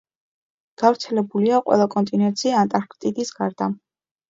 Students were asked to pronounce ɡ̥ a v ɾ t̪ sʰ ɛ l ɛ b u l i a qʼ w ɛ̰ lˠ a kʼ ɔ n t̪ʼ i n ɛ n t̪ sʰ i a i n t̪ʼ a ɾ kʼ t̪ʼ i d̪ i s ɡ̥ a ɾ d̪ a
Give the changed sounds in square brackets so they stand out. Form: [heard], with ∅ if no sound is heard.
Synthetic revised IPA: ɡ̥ a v ɾ t̪ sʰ ɛ l ɛ b u l i a qʼ w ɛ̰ lˠ a kʼ ɔ n t̪ʼ i n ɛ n t̪ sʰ i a [a] n t̪ʼ a ɾ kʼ t̪ʼ i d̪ i s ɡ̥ a ɾ d̪ a

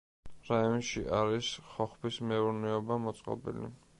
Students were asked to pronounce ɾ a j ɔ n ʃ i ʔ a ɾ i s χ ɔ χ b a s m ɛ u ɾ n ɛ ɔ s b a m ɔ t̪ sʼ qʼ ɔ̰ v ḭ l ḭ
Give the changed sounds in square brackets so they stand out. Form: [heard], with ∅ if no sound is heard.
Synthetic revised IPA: ɾ a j ɔ n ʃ i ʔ a ɾ i s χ ɔ χ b [i] s m ɛ u ɾ n ɛ ɔ [∅] b a m ɔ t̪ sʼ qʼ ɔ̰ [b] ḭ l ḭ

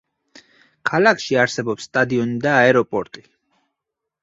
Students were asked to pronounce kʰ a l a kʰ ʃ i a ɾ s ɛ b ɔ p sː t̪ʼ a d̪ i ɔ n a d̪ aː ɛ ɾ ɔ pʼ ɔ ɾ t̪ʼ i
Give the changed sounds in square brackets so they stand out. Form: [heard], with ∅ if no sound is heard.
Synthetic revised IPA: kʰ a l a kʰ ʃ i a ɾ s ɛ b ɔ p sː t̪ʼ a d̪ i ɔ n [i] d̪ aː ɛ ɾ ɔ pʼ ɔ ɾ t̪ʼ i

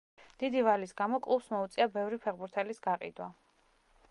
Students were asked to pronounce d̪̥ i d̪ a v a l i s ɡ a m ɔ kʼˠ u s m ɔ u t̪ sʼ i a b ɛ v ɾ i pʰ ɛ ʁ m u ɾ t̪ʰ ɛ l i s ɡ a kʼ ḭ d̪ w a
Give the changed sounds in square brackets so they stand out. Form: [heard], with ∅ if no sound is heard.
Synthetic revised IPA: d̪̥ i d̪ [i] v a l i s ɡ a m ɔ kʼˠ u s m ɔ u t̪ sʼ i a b ɛ v ɾ i pʰ ɛ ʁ [b] u ɾ t̪ʰ ɛ l i s ɡ a [qʼ] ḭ d̪ w a

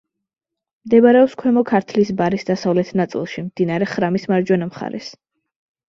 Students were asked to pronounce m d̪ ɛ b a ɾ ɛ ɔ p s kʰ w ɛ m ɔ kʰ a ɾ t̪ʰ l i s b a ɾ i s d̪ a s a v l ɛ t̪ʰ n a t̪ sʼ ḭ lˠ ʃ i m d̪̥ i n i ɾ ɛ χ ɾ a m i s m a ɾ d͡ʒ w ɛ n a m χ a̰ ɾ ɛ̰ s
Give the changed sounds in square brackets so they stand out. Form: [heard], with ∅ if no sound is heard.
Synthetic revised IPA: m d̪ ɛ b a ɾ ɛ ɔ p s kʰ w ɛ m ɔ kʰ a ɾ t̪ʰ l i s b a ɾ i s d̪ a s a v l ɛ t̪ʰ n a t̪ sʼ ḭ lˠ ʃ i m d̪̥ i n [a] ɾ ɛ χ ɾ a m i s m a ɾ d͡ʒ w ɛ n a m χ a̰ ɾ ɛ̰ s

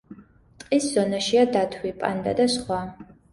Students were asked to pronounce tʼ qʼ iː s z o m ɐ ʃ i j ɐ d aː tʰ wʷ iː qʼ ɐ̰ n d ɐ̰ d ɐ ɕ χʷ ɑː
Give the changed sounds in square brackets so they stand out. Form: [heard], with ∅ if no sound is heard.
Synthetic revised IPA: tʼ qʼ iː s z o [n] ɐ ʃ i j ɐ d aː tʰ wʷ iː [pʼ] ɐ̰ n d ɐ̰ d ɐ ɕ χʷ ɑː

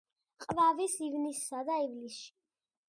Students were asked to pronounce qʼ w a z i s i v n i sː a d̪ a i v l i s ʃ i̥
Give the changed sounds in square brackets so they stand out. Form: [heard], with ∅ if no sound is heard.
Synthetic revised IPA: qʼ [v] a [v] i s i v n i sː a d̪ a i v l i s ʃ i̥

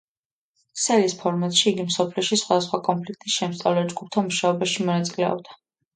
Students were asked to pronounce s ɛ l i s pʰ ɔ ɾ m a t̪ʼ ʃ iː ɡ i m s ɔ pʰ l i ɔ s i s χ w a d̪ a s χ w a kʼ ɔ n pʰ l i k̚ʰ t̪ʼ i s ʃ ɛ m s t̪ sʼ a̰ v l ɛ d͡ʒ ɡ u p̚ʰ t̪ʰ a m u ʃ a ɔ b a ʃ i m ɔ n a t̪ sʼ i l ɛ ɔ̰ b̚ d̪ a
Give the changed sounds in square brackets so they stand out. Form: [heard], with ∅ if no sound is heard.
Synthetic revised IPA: s ɛ l i s pʰ ɔ ɾ m a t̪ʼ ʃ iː ɡ i m s ɔ pʰ l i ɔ [ʃ] i s χ w a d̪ a s χ w a kʼ ɔ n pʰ l i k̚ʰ t̪ʼ i s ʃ ɛ m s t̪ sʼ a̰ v l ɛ d͡ʒ ɡ u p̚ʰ t̪ʰ a m u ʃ a ɔ b a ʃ i m ɔ n a t̪ sʼ i l ɛ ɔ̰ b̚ d̪ a

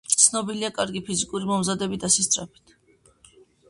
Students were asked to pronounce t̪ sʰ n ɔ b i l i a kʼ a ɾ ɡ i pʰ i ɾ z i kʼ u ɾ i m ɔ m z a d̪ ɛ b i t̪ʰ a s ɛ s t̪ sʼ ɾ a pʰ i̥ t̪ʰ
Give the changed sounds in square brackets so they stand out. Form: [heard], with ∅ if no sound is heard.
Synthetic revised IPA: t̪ sʰ n ɔ b i l i a kʼ a ɾ ɡ i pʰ i [∅] z i kʼ u ɾ i m ɔ m z a d̪ ɛ b i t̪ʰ a s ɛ s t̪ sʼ ɾ a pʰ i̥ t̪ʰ

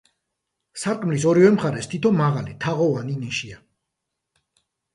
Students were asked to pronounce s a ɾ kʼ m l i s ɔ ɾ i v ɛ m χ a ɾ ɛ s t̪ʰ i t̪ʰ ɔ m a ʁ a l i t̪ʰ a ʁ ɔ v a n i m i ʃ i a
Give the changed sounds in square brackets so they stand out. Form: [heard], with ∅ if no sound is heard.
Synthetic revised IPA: s a ɾ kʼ m l i s ɔ ɾ i v ɛ m χ a ɾ ɛ s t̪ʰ i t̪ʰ ɔ m a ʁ a l i t̪ʰ a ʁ ɔ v a n i [n] i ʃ i a

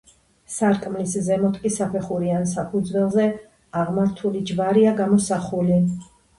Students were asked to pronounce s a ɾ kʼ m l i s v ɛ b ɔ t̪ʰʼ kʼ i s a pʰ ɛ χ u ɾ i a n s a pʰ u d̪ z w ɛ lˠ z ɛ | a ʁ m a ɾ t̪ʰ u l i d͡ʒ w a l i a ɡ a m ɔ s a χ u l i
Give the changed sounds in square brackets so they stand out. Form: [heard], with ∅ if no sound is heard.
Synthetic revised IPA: s a ɾ kʼ m l i s [z] ɛ [m] ɔ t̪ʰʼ kʼ i s a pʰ ɛ χ u ɾ i a n s a pʰ u d̪ z w ɛ lˠ z ɛ | a ʁ m a ɾ t̪ʰ u l i d͡ʒ [v] a [ɾ] i a ɡ a m ɔ s a χ u l i

